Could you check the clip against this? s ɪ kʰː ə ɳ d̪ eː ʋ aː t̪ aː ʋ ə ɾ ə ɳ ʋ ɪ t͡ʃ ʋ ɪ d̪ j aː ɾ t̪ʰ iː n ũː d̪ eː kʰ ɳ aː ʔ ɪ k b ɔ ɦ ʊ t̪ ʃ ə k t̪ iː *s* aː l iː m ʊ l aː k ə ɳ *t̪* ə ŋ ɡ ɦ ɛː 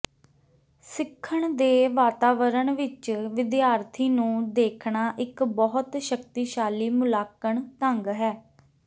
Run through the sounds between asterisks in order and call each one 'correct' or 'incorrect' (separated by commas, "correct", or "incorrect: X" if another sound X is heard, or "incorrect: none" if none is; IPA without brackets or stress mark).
incorrect: ʃ, correct